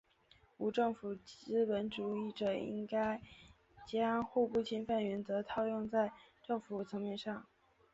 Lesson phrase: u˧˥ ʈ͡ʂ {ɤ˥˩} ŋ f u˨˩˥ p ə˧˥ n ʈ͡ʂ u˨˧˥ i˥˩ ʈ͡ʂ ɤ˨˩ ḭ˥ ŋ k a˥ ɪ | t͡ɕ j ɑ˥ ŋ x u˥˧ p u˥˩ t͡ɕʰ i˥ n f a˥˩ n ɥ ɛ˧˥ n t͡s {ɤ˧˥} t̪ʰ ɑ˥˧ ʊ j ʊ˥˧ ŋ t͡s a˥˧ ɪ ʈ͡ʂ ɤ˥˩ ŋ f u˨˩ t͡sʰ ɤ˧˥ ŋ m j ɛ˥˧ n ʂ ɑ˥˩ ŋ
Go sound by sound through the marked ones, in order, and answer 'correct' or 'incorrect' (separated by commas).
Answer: correct, correct